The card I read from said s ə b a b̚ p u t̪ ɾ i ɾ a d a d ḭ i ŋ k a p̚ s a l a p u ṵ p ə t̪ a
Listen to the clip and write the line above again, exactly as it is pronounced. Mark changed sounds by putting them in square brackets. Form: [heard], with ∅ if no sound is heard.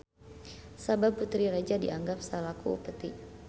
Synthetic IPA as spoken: s [a] b a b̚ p u t̪ ɾ i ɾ a [d͡ʒ] a d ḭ [a] ŋ [ɡ] a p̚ s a l a [k] u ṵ p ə t̪ [i]